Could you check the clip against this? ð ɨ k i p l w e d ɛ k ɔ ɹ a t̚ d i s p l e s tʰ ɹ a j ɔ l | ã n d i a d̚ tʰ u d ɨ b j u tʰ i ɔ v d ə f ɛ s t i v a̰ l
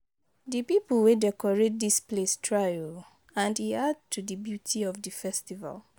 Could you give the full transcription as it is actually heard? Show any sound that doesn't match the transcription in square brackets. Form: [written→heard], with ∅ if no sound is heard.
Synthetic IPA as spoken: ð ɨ [k→p] i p l w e d ɛ k ɔ ɹ [a→e] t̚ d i s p l e s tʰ ɹ a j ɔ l | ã n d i a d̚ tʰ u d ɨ b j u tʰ i ɔ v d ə f ɛ s t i v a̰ l